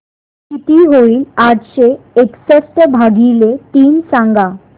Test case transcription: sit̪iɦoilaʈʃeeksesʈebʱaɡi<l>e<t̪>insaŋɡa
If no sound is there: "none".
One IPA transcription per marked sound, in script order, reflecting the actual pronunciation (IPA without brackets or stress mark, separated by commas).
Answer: l, t̪